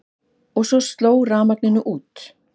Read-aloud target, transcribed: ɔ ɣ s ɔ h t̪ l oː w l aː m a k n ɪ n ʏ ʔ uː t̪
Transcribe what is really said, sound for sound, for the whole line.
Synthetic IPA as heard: ɔ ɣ s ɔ s t̪ l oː w r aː m a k n ɪ n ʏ ʔ uː t̪